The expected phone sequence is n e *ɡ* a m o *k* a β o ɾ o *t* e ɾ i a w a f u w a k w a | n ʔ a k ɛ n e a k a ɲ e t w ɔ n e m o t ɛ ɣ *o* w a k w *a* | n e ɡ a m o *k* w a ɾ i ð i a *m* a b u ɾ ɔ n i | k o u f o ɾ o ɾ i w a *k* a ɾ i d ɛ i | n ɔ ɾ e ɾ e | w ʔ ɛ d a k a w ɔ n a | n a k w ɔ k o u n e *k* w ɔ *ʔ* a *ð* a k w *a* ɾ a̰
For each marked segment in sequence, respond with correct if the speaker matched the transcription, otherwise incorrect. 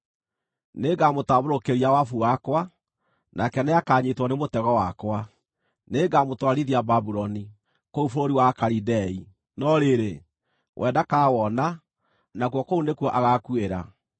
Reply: correct, incorrect: t, incorrect: k, incorrect: ɔ, correct, incorrect: t, incorrect: b, correct, correct, correct, incorrect: ɣ, incorrect: e

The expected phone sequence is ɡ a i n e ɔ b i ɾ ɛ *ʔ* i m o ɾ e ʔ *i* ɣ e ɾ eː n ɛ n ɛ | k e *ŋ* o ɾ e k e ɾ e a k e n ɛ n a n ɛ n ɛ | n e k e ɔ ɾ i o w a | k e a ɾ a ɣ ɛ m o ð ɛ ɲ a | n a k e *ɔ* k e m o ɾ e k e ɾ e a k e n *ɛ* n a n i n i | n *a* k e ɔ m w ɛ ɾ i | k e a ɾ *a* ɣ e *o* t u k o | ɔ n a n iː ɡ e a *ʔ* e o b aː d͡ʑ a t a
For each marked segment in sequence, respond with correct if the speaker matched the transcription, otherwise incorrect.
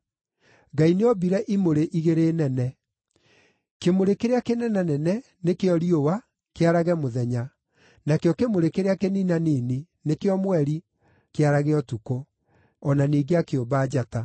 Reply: correct, correct, incorrect: m, correct, incorrect: i, incorrect: e, correct, incorrect: ɔ, incorrect: k

